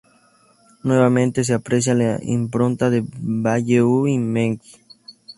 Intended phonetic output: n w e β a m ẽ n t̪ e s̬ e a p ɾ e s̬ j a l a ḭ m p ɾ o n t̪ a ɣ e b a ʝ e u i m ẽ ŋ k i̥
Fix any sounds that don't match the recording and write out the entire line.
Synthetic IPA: n w e β a m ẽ n t̪ e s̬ e a p ɾ e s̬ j a l a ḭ m p ɾ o n t̪ a ð e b a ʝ e u i m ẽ ŋ k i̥